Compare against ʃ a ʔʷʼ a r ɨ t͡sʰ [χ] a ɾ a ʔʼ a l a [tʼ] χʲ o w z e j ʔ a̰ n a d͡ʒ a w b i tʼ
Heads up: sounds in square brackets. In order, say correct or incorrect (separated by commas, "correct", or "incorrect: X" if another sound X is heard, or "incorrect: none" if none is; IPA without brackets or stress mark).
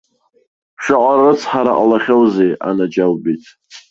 incorrect: ħ, incorrect: none